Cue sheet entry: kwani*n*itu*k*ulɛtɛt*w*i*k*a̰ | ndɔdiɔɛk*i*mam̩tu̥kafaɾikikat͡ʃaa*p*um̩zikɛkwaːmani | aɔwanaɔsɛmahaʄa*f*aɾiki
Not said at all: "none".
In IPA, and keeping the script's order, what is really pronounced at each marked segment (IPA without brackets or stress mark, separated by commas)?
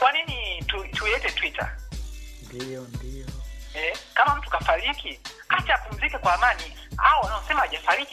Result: n, t, w, t, a, p, f